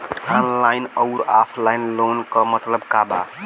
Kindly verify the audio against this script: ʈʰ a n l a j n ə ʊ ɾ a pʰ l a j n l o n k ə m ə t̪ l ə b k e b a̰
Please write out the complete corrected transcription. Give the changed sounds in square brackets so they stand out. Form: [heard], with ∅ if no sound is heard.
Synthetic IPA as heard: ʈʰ a n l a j n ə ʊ ɾ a pʰ l a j n l o n k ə m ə t̪ l ə b k [a] b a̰